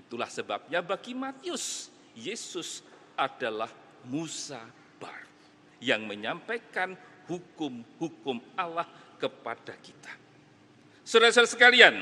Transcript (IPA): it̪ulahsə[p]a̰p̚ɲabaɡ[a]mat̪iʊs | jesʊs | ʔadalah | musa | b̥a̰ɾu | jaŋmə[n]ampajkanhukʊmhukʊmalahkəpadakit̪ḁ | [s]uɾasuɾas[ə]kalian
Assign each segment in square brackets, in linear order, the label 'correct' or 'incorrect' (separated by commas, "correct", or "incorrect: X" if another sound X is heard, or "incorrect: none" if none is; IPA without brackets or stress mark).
incorrect: b, incorrect: i, incorrect: ɲ, correct, correct